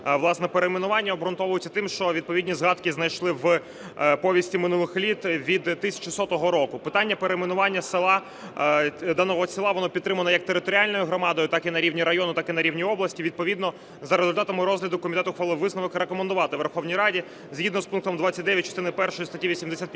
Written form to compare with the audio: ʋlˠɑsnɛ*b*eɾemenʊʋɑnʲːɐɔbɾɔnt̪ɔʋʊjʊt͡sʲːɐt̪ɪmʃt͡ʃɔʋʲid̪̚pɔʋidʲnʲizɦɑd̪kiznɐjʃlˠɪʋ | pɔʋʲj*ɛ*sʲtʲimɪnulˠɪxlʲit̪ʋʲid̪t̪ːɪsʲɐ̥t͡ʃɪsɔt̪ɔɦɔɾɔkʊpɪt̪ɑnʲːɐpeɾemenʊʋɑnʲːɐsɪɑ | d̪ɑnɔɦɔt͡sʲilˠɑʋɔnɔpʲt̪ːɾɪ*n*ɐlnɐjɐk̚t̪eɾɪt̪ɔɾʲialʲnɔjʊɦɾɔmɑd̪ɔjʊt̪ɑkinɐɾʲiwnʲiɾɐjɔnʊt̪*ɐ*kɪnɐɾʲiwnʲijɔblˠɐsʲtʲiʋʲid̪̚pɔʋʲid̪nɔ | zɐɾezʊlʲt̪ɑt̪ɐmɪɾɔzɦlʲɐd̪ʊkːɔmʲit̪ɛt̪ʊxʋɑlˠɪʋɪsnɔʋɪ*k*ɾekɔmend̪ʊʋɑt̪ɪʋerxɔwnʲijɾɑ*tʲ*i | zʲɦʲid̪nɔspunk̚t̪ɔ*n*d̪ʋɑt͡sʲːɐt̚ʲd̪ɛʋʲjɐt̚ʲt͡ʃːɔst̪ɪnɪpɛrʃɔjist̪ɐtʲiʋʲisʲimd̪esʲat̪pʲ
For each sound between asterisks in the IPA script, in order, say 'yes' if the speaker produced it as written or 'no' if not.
no, no, no, no, yes, no, no

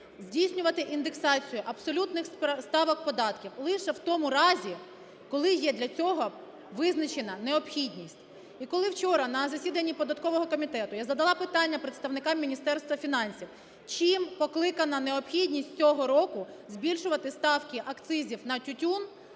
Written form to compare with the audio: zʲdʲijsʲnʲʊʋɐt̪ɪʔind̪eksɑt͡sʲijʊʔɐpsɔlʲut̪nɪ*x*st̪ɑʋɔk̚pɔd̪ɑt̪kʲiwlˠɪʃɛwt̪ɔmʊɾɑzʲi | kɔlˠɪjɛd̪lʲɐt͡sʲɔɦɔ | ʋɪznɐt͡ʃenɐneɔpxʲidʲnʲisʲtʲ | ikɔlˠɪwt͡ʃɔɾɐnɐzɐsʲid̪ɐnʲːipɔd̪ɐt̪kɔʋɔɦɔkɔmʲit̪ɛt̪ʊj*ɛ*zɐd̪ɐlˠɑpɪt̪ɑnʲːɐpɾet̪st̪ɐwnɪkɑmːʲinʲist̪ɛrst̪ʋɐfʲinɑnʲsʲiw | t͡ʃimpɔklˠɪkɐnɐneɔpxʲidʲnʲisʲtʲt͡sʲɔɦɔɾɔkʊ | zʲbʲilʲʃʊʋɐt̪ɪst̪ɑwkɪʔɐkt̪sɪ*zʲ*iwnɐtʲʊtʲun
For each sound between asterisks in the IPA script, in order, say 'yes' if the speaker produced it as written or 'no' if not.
yes, no, yes

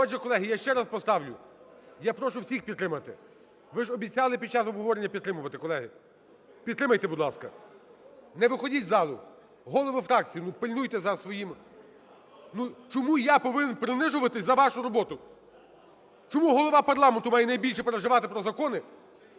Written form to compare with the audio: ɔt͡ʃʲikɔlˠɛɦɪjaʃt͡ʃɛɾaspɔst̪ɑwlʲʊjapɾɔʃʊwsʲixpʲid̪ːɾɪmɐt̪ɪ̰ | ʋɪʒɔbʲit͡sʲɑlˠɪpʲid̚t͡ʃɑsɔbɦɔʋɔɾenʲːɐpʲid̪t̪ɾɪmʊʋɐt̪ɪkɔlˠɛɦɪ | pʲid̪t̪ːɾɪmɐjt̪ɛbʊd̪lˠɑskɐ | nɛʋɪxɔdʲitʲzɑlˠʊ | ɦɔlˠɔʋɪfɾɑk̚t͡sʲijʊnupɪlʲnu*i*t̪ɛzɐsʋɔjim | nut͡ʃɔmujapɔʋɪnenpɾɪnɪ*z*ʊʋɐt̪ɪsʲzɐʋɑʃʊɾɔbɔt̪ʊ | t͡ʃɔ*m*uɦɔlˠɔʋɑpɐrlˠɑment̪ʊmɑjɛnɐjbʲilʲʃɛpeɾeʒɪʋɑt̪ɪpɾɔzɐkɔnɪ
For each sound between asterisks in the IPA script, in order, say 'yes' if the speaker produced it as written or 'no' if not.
no, no, yes

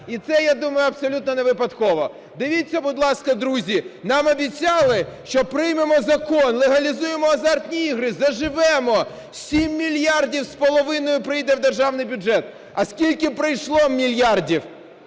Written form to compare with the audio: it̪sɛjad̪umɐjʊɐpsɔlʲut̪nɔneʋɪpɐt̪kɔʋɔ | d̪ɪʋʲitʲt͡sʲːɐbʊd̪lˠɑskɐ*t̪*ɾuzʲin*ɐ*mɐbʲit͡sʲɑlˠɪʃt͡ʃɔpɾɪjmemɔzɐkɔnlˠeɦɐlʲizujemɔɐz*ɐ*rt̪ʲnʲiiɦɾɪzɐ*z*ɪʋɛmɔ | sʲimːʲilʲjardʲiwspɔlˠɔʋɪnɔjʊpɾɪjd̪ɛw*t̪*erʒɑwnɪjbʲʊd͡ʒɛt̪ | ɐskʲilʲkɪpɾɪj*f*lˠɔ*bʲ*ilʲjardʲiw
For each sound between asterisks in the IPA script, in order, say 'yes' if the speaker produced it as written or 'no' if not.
no, no, no, no, no, no, no

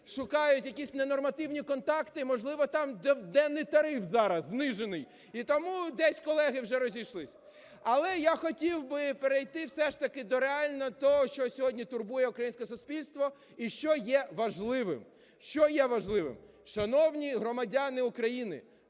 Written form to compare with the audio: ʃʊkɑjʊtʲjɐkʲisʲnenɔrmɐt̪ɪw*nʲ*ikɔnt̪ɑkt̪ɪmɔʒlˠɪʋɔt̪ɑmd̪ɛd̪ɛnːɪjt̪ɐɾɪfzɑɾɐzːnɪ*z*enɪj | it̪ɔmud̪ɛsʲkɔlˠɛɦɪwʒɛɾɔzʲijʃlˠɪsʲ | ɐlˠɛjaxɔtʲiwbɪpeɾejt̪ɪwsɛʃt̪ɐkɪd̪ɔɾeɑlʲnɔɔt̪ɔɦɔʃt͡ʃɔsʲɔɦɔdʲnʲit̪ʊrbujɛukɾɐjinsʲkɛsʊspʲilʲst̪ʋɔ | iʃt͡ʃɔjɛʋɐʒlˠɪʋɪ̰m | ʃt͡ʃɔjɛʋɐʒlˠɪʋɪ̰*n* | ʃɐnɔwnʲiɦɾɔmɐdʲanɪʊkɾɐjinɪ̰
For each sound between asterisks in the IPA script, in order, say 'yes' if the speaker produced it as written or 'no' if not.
yes, no, no

